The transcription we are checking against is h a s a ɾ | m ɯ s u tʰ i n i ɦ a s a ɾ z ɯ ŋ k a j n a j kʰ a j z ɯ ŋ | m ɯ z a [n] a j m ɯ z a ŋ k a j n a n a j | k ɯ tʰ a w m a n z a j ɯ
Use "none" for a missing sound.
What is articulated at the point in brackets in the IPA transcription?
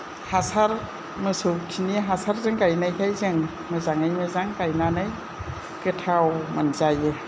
ŋ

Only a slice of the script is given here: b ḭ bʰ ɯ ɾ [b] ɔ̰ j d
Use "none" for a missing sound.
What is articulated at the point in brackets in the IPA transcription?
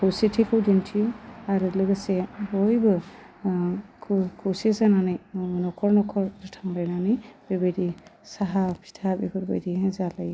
b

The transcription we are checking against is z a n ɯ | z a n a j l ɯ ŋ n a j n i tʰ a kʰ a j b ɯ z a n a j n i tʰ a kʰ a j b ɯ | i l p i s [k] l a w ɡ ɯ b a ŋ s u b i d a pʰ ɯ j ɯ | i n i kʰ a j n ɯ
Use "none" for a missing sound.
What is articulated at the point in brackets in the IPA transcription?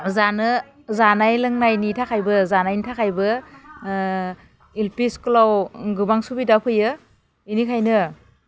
k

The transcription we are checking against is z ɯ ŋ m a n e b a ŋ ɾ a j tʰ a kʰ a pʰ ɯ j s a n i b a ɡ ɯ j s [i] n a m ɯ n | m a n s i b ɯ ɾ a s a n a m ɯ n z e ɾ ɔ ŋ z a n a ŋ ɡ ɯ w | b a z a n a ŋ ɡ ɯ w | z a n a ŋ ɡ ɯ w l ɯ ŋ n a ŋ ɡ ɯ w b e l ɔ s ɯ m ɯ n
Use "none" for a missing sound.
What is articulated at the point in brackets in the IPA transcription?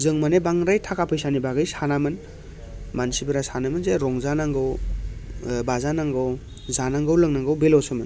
a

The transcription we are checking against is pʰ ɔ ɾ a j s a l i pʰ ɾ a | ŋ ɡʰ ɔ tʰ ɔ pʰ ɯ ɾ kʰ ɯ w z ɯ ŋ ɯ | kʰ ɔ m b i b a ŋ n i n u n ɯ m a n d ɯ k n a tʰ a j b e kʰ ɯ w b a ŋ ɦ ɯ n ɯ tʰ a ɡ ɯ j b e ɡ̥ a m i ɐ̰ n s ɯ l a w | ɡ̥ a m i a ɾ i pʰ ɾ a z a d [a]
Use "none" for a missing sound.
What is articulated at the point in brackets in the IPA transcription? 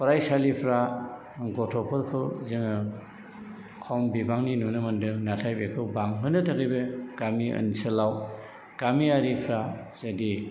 i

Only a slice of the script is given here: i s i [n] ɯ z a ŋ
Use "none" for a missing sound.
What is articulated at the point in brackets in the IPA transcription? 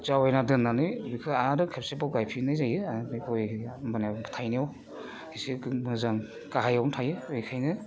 m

